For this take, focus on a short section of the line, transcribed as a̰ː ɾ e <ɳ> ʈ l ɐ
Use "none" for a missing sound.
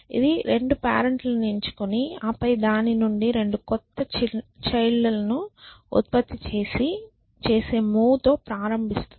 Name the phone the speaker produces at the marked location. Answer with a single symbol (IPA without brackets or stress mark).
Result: ɳ